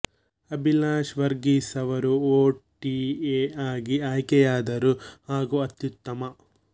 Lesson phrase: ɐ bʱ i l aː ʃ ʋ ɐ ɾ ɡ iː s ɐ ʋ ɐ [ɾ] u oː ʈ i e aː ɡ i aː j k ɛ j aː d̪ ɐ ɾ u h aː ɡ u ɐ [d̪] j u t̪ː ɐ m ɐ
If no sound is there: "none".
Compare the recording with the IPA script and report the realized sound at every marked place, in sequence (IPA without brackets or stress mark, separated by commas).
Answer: ɾ, t̪